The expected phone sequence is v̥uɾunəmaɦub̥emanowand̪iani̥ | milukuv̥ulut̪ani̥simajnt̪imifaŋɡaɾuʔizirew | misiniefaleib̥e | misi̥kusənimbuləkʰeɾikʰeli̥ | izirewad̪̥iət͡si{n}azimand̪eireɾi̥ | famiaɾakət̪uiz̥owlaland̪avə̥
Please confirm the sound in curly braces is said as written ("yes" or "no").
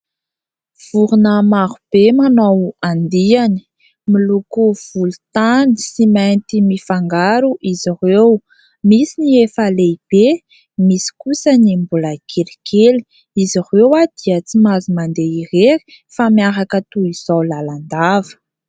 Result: no